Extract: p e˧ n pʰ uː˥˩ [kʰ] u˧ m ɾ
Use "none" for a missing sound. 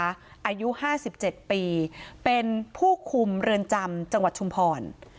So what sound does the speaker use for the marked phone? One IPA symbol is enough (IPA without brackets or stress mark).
kʰ